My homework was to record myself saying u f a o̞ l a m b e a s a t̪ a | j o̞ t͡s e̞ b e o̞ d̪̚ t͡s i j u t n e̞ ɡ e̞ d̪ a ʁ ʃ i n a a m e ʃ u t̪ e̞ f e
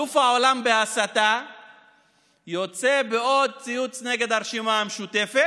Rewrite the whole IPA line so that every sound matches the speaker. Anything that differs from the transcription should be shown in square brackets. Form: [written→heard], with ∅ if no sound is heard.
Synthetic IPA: u f a o̞ l a m b e a s a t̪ a | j o̞ t͡s e̞ b e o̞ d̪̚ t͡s i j u [t→t͡s] n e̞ ɡ e̞ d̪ a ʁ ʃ i [n→m] a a m e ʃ u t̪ e̞ f e

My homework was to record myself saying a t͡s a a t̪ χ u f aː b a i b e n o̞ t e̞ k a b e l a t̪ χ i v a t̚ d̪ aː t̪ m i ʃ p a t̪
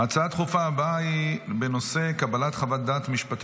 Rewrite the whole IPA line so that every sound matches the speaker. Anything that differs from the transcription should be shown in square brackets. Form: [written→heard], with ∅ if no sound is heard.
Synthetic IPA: a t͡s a a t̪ χ u f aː b a i b e n o̞ [t→s] e̞ k a b [e→a] l a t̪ χ [i→a] v a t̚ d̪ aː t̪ m i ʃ p a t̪

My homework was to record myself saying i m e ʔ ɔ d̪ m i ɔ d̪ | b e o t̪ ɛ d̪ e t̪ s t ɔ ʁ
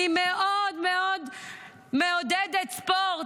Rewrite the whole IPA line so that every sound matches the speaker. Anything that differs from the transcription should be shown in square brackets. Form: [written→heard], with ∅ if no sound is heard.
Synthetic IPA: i m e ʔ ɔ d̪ m [i→e] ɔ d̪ | [b→m] e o [t̪→d̪] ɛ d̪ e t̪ s [t→p] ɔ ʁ

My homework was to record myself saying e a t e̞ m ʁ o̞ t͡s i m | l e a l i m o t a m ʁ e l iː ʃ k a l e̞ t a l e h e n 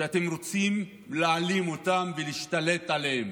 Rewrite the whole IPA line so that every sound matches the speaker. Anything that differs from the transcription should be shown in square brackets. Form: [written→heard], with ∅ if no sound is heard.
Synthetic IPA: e a t e̞ m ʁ o̞ t͡s i m | l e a l i m o t a m [ʁ→v] e l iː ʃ [k→t] a l e̞ t a l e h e [n→m]

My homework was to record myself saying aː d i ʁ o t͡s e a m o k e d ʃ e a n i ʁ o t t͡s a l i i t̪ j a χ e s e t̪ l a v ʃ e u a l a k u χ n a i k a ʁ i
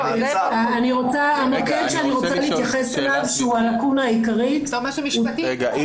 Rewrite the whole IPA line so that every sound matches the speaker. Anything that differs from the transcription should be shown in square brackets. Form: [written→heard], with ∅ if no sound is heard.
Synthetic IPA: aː [d→n] i ʁ o t͡s [e→a] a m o k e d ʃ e a n i ʁ o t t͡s a l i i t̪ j a χ e s e [t̪→∅] l a v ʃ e u a l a k u [χ→∅] n a i k a ʁ i

